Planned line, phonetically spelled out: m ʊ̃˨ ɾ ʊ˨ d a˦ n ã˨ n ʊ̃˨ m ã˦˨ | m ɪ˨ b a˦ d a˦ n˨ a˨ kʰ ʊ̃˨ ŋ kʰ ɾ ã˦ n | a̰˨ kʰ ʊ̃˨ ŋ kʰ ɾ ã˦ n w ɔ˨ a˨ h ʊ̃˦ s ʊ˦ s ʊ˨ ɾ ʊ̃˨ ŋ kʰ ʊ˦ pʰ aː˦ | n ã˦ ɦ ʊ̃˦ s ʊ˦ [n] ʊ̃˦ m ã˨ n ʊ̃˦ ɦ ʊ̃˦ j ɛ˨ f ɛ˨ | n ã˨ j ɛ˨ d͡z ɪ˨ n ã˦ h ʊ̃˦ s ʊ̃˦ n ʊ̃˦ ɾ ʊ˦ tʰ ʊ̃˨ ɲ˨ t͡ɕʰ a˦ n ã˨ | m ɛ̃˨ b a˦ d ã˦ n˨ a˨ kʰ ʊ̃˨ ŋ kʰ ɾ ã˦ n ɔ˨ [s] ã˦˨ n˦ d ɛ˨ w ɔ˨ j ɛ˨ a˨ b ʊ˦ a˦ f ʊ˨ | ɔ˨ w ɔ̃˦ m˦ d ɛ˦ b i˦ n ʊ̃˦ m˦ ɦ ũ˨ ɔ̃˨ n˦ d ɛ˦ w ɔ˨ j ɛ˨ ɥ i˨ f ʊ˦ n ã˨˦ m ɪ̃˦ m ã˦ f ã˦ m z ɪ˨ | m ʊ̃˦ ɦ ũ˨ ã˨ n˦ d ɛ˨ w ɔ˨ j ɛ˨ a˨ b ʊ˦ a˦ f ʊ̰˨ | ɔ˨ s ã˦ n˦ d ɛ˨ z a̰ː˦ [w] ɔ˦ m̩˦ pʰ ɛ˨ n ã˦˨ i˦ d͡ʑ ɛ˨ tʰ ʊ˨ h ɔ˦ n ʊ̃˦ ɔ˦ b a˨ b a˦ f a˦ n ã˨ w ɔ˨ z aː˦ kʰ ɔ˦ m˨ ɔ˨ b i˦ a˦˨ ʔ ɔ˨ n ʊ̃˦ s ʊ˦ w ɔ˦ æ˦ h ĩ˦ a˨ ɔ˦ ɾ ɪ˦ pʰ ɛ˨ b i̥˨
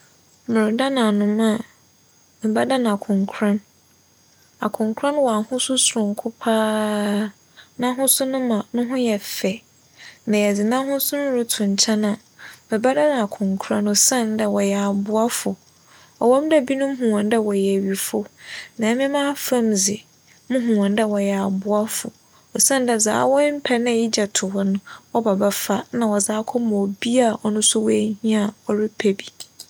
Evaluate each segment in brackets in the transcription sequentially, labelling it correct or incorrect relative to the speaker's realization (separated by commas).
correct, correct, correct